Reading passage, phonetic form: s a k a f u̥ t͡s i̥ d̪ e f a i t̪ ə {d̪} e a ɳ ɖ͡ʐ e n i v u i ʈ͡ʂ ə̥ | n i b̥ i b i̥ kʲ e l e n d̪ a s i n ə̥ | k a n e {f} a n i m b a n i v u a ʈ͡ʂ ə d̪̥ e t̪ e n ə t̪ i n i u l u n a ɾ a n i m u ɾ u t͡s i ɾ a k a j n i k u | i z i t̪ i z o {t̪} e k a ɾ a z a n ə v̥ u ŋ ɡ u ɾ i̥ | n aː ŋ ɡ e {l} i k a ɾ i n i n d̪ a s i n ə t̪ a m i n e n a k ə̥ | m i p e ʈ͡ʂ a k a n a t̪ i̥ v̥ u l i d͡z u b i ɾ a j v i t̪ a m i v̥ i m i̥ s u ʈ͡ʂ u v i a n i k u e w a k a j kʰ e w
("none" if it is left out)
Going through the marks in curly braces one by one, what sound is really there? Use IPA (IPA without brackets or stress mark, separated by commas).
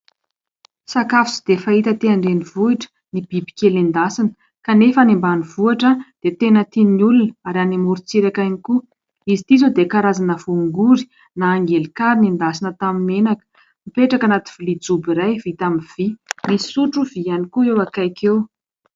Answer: t̪, f, d̪, l